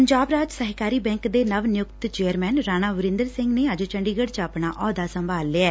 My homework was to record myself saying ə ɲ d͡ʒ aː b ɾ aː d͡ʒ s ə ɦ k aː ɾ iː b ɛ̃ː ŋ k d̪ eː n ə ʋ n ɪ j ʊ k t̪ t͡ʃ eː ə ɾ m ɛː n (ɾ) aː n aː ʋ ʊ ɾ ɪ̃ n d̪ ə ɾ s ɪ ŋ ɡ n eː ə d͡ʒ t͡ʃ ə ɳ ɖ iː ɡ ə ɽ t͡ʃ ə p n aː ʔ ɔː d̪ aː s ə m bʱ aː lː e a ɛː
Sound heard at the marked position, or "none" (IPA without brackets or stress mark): ɾ